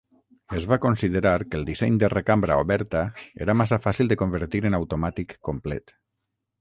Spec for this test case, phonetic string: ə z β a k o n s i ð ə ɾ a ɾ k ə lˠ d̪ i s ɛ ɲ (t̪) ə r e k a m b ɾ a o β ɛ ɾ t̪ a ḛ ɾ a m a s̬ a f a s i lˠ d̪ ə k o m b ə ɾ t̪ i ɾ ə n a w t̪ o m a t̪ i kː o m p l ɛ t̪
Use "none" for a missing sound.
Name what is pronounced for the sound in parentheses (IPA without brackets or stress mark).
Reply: d̪